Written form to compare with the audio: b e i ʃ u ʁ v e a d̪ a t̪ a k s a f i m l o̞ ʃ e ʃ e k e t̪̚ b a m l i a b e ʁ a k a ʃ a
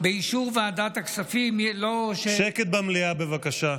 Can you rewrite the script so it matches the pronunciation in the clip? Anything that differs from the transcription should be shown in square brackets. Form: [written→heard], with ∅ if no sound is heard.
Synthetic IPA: b e i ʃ u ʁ v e a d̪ a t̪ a k s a f i m l o̞ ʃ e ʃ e k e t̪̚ b a m l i a b e [ʁ→v] a k a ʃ a